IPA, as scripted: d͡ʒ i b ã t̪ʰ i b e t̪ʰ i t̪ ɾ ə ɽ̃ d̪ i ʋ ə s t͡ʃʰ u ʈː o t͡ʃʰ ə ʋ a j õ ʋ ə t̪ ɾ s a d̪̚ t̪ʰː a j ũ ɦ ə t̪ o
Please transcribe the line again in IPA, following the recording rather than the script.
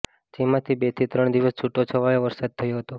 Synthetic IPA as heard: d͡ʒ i m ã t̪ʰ i b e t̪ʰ i t̪ ɾ ə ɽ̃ d̪ i ʋ ə s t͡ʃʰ u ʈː o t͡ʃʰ ə ʋ a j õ ʋ ə ɾ s a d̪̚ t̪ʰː ə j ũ ɦ ə t̪ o

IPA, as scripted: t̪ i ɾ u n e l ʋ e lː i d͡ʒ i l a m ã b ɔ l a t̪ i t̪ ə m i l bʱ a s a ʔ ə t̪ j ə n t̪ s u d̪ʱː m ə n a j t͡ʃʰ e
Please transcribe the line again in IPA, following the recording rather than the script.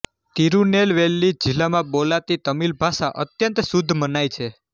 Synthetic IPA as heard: t̪ i ɾ u n e l ʋ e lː i d͡ʒ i l a m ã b o l a t̪ i t̪ ə m i l bʱ a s a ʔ ə t̪ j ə n t̪ s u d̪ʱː m ə n a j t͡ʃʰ e

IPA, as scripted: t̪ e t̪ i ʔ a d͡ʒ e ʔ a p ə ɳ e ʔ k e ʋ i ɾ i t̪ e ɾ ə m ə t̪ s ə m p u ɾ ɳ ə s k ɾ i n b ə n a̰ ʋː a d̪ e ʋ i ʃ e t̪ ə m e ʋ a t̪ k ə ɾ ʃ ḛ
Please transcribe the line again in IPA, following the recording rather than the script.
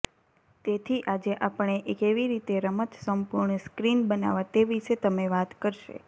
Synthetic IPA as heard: t̪ e t̪ʰ i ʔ a d͡ʒ e ʔ a p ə ɳ e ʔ k e ʋ i ɾ i t̪ e ɾ ə m ə t̪ s ə m p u ɾ ɳ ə s k ɾ i n b ə n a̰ ʋ a t̪ e ʋ i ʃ e t̪ ə m e ʋ a t̪ k ə ɾ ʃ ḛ

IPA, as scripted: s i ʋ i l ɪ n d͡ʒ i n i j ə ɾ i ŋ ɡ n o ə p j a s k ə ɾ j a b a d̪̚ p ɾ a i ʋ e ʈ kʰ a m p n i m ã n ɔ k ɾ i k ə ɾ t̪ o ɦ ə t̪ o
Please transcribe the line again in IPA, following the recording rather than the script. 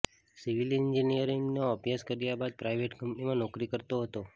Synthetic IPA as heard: s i ʋ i l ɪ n d͡ʒ i n i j ə ɾ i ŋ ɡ n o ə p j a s k ə ɾ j a b a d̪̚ p ɾ a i ʋ e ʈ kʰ ə m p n i m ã n ɔ k ɾ i k ə ɾ t̪ o ɦ ə t̪ o

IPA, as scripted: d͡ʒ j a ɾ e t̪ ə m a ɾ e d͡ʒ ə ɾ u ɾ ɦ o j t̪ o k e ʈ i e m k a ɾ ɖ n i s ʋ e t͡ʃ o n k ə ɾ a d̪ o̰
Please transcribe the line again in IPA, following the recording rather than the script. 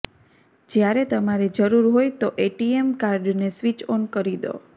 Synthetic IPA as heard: d͡ʒ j a ɾ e t̪ ə m a ɾ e d͡ʒ ə ɾ u ɾ ɦ o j t̪ o ʔ e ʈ i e m k a ɾ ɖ n e s ʋ i t͡ʃ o n k ə ɾ i d̪ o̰

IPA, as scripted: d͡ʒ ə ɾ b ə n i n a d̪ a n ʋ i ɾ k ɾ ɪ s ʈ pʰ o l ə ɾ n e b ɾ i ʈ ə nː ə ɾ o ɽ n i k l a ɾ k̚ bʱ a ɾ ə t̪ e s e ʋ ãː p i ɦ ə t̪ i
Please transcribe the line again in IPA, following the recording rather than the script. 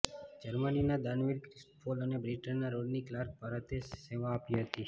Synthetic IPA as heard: d͡ʒ ə ɾ m ə n i n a d̪ a n ʋ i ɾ k ɾ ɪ s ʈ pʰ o l ə n e b ɾ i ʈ ə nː a ɾ o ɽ n i k l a ɾ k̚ bʱ a ɾ ə t̪ e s e ʋ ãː p i ɦ ə t̪ i

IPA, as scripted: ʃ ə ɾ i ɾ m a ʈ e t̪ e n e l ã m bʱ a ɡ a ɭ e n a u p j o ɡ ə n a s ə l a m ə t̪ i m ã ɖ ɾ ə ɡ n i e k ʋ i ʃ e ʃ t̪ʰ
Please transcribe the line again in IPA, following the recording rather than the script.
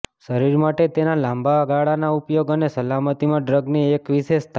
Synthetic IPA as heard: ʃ ə ɾ i ɾ m a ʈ e t̪ e n a l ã m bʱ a ɡ a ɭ a n a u p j o ɡ ə n e s ə l a m ə t̪ i m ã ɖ ɾ ə ɡ n i e k ʋ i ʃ e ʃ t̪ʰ

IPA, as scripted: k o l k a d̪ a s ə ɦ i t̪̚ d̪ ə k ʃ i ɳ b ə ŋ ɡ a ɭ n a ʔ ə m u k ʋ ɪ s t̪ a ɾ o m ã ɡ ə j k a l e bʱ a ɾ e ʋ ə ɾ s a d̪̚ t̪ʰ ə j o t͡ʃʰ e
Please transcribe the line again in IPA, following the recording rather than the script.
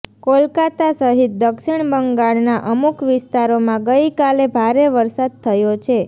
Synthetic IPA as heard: k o l k a t̪ a s ə ɦ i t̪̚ d̪ ə k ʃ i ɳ b ə ŋ ɡ a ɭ n a ʔ ə m u k ʋ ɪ s t̪ a ɾ o m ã ɡ ə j k a l e bʱ a ɾ e ʋ ə ɾ s a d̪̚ t̪ʰ ə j o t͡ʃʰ e

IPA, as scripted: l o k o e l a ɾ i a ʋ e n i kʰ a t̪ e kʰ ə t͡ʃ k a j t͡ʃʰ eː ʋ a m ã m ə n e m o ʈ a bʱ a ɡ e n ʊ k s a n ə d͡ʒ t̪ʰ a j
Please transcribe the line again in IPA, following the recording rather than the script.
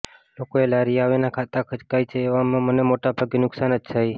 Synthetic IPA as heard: l o k o e l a ɾ i a ʋ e n a kʰ a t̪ a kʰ ə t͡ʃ k a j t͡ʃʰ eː ʋ a m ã m ə n e m o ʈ a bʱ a ɡ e n ʊ k s a n ə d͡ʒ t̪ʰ a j

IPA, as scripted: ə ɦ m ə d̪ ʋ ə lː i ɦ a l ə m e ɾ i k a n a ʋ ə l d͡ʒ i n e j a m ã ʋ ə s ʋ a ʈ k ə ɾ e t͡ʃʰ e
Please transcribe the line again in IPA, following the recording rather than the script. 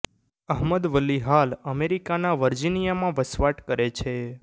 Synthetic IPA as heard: ə ɦ m ə d̪ ʋ ə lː i ɦ a l ə m e ɾ i k a n a ʋ ə ɾ d͡ʒ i n i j a m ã ʋ ə s ʋ a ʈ k ə ɾ e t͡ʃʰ e

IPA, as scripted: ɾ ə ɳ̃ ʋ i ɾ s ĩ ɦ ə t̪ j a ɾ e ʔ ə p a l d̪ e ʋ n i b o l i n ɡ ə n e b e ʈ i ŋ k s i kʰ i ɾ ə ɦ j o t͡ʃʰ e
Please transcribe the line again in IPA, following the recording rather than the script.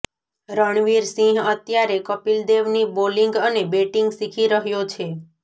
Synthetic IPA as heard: ɾ ə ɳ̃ ʋ i ɾ s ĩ ɦ ə t̪ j a ɾ e k ə p i l d̪ e ʋ n i b o l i ŋ ɡ ə n e b e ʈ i ŋ ɡ s i kʰ i ɾ ə ɦ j o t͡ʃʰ e

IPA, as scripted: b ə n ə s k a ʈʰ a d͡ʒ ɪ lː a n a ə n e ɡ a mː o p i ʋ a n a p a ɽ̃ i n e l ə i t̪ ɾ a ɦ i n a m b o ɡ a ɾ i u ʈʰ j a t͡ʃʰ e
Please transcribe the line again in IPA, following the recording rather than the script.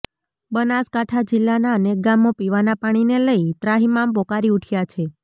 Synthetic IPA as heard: b ə n a s k a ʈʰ a d͡ʒ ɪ lː a n a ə n e ɡ a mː o p i ʋ a n a p a ɽ̃ i n e l ə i t̪ ɾ a ɦ i m a m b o k a ɾ i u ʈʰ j a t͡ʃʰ e

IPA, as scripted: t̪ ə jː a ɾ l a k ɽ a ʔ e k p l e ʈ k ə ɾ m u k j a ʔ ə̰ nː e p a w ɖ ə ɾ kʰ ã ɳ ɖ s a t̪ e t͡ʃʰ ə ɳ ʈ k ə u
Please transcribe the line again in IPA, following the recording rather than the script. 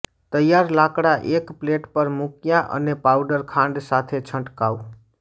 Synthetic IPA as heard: t̪ ə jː a ɾ l a k ɽ a ʔ e k p l e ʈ p ə ɾ m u k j a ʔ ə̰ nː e p a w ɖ ə ɾ kʰ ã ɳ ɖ s a t̪ʰ e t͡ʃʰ ə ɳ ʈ k a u

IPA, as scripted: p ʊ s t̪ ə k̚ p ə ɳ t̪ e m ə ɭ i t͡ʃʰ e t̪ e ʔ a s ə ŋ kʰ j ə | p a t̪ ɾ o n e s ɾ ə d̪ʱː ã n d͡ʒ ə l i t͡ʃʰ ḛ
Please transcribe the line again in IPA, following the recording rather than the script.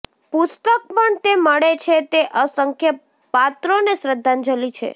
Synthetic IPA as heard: p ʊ s t̪ ə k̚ p ə ɳ t̪ e m ə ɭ e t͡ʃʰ e t̪ e ʔ ə s ə ŋ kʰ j ə | p a t̪ ɾ o n e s ɾ ə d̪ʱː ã n d͡ʒ ə l i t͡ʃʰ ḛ

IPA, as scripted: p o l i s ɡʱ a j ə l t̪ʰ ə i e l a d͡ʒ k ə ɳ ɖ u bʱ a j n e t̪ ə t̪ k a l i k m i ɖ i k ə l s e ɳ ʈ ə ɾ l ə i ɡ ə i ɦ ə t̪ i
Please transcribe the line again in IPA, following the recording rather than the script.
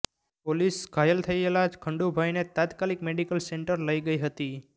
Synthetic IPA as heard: p o l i s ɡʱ a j ə l t̪ʰ ə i e l a d͡ʒ kʰ ə ɳ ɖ u bʱ a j n e t̪ a t̪ k a l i k m e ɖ i k ə l s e ɳ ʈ ə ɾ l ə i ɡ ə i ɦ ə t̪ i

